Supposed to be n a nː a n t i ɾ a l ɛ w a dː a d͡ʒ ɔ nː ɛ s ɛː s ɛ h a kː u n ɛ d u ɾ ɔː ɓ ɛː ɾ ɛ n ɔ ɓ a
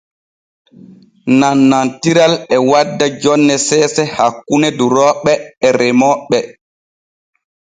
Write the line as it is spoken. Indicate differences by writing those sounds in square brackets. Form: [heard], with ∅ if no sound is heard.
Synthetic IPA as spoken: n a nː a n t i ɾ a l ɛ w a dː a d͡ʒ ɔ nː ɛ s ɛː s ɛ h a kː u n ɛ d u ɾ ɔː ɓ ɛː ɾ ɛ [m] ɔ ɓ [ɛ]